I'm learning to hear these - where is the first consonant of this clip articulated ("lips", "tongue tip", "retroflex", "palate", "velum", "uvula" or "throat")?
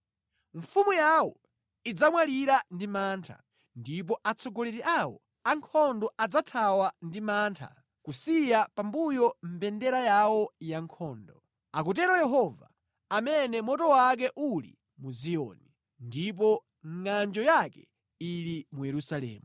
lips